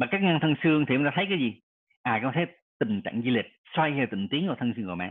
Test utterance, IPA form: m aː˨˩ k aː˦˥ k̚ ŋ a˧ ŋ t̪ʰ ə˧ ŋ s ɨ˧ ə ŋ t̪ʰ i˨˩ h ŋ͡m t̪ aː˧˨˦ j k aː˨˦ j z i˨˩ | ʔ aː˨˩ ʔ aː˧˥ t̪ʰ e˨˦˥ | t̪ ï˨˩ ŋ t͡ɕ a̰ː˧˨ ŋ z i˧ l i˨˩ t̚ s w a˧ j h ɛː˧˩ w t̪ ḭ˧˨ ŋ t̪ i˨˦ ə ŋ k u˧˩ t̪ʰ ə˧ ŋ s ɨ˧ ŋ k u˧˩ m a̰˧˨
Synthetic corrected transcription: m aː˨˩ k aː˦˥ k̚ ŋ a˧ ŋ t̪ʰ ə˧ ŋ s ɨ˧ ə ŋ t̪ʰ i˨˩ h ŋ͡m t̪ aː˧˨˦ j k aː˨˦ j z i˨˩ | ʔ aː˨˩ k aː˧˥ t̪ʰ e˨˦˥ | t̪ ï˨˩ ŋ t͡ɕ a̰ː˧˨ ŋ z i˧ l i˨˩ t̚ s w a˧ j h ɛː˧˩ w t̪ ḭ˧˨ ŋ t̪ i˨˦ ə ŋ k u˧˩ t̪ʰ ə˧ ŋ s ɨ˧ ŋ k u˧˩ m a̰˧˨